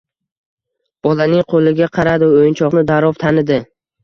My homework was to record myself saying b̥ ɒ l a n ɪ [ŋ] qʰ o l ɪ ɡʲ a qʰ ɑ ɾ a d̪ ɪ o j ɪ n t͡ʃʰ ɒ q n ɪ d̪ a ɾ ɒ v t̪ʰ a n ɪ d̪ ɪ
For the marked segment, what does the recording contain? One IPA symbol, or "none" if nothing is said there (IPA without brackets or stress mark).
ŋ